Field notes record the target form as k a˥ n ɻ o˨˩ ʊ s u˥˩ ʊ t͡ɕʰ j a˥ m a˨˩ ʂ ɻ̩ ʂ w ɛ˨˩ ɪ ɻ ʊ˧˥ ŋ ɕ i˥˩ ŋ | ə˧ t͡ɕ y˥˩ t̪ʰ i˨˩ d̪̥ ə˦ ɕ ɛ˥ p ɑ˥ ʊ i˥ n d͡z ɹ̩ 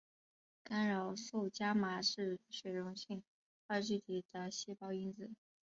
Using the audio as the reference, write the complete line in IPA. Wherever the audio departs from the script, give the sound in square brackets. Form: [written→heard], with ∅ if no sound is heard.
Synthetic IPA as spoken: k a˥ n ɻ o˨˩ ʊ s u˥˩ ʊ [t͡ɕʰ→t͡ɕ] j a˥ m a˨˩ ʂ ɻ̩ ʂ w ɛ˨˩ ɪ ɻ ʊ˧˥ ŋ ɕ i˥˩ ŋ | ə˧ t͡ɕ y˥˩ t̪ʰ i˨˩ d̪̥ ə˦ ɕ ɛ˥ p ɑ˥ ʊ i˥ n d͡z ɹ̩